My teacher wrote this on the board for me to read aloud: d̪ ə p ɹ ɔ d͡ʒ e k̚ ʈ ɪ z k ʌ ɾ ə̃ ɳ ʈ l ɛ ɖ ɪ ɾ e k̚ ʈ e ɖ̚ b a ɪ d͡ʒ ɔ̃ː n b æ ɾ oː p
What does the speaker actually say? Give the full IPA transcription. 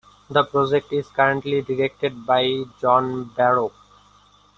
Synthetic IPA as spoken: d̪ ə p ɾ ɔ d͡ʒ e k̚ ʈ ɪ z k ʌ ɾ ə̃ ɳ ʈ l i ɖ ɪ ɾ e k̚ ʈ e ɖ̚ b a ɪ d͡ʒ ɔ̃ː n b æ ɾ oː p